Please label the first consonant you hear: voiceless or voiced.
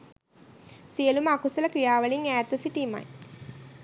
voiceless